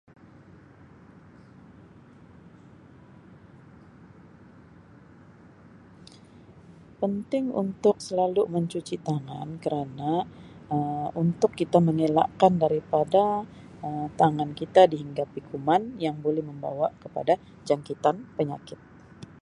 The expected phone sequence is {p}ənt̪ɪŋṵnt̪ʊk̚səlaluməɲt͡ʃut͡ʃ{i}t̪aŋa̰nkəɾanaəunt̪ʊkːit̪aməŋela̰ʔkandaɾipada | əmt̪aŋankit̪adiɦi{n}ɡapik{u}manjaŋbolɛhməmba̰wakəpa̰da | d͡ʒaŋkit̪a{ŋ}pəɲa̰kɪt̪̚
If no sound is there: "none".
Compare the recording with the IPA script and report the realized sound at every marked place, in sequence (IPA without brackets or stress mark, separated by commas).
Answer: p, i, ŋ, u, n